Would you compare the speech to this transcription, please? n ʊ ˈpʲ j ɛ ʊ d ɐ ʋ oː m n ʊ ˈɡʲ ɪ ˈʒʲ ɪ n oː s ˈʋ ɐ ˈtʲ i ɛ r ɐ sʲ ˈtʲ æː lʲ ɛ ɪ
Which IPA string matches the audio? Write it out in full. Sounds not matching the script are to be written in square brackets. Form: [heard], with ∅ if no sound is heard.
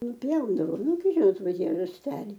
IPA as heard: n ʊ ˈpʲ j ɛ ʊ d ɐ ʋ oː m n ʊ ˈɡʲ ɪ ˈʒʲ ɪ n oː [t] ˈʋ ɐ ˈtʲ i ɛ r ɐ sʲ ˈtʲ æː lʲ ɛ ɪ